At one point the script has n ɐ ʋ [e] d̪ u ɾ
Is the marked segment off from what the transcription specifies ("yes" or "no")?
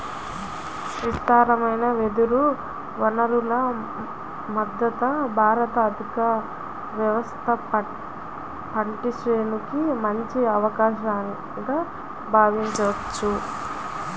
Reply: no